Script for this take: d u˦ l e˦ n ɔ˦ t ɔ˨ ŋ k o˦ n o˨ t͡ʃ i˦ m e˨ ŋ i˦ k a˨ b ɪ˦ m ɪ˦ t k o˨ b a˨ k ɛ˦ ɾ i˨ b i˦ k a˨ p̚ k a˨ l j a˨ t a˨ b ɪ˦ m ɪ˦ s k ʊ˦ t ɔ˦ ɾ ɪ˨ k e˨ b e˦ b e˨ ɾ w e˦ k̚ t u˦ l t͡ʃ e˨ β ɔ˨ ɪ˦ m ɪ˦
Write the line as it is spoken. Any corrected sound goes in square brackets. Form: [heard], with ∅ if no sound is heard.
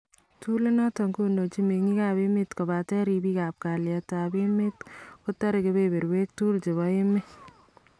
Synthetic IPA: [t] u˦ l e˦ n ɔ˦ t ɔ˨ ŋ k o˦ n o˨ t͡ʃ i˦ m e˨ ŋ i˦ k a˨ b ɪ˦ m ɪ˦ t k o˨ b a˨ [t] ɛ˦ ɾ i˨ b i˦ k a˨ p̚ k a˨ l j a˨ t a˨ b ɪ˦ m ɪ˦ [t] k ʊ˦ t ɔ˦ ɾ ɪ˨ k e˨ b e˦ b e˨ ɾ w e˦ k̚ t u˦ l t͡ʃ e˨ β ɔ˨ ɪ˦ m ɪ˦

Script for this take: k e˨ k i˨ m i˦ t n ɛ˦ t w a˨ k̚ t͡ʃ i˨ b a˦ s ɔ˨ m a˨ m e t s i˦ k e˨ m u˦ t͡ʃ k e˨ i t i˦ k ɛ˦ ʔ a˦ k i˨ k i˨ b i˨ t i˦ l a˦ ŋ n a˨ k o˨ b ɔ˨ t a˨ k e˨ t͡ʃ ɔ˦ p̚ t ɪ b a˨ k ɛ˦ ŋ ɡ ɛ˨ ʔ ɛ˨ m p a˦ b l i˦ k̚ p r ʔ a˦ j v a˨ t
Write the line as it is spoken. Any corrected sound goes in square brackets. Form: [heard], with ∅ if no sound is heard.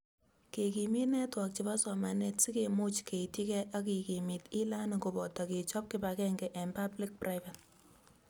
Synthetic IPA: k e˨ k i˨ m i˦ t n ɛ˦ t w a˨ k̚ t͡ʃ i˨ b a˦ s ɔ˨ m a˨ [n] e t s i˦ k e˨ m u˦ t͡ʃ k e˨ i t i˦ k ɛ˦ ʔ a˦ k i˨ k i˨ [m] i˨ t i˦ l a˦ [∅] n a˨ k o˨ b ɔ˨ t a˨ k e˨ t͡ʃ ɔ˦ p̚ [k] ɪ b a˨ k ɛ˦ ŋ ɡ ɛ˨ ʔ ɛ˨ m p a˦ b l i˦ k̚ p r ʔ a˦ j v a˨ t

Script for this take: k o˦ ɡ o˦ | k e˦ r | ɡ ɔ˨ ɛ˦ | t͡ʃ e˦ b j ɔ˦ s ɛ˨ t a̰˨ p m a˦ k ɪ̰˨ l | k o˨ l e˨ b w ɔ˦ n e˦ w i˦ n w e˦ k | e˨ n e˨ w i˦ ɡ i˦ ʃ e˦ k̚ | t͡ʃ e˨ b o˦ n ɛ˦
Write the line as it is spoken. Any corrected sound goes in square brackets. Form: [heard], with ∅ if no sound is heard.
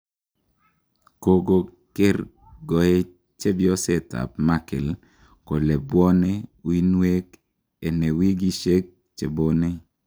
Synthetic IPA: k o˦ ɡ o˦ | k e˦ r | ɡ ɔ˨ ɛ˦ | t͡ʃ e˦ b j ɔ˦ s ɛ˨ t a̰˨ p m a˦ k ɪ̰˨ l | k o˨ l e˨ b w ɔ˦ n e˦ w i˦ n w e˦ k | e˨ n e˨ w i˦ ɡ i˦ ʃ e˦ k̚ | t͡ʃ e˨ b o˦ n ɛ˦

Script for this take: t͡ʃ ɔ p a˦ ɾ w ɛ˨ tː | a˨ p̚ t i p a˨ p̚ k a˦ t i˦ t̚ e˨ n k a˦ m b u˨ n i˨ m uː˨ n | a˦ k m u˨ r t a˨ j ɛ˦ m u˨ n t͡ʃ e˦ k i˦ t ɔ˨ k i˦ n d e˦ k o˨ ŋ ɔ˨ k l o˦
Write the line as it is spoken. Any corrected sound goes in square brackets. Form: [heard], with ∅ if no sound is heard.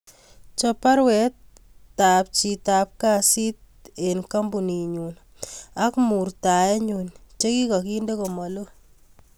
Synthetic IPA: t͡ʃ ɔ p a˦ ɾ w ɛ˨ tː | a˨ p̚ [t͡ʃ] i [t] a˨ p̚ k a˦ [s] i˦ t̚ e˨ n k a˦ m b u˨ n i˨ [ɲ] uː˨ n | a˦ k m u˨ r t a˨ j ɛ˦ [ɲ] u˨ n t͡ʃ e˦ k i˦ [k] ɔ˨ k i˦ n d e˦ k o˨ [m] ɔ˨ [∅] l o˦

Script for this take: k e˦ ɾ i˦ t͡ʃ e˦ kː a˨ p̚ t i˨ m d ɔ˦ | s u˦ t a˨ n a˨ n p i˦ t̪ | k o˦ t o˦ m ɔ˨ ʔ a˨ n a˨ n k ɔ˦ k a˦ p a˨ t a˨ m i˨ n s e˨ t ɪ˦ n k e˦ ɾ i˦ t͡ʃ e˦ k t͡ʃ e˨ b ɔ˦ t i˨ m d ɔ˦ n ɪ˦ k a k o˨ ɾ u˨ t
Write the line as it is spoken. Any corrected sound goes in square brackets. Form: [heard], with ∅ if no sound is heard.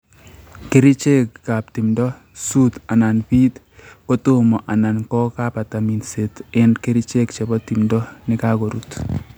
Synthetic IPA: k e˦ ɾ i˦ t͡ʃ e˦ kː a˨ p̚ t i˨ m d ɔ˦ | s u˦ t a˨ n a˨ n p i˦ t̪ | k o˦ t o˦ m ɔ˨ ʔ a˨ n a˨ n k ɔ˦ k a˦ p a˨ t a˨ m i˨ n s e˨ t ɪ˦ n k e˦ ɾ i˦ t͡ʃ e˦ k t͡ʃ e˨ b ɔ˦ t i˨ m d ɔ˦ n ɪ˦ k a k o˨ ɾ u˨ t

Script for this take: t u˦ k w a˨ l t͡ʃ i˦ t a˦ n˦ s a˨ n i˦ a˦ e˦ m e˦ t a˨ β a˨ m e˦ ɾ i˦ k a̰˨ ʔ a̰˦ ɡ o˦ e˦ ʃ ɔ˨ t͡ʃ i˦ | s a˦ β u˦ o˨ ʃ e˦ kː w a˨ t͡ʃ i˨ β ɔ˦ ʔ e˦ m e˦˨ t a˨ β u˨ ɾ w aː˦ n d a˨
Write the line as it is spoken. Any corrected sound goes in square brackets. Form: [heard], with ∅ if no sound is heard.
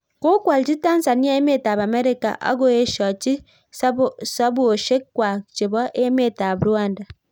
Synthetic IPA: [k] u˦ k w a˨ l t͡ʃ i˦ t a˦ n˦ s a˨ n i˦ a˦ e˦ m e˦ t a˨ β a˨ m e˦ ɾ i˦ k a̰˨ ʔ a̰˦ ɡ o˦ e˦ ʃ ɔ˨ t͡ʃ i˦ | s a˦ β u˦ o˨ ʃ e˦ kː w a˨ t͡ʃ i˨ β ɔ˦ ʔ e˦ m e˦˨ t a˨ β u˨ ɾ w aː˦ n d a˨

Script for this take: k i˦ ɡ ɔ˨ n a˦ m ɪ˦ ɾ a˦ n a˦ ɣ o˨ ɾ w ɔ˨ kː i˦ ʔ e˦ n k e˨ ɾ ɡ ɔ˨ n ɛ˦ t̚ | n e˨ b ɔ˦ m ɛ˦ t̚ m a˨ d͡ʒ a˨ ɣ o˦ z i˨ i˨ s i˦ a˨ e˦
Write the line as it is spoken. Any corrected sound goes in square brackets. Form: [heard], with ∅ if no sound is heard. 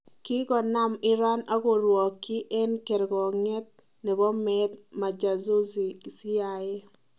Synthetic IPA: k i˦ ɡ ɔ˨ n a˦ m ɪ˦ ɾ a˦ n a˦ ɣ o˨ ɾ w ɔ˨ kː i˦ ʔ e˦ n k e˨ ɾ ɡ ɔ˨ [ŋ] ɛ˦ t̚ | n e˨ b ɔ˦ m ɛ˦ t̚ m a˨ d͡ʒ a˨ [z] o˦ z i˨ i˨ s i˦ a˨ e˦

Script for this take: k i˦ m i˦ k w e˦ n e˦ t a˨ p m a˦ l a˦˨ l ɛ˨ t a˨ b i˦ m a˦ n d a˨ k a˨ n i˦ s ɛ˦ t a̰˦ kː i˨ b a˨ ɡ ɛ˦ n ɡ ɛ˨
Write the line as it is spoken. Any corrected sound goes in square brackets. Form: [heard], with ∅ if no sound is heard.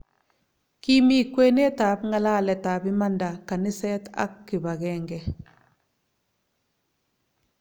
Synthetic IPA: k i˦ m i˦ k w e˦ n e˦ t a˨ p [ŋ] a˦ l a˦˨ l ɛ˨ t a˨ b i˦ m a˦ n d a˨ k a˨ n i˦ s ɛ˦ t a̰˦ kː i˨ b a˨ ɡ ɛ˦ [ŋ] ɡ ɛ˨

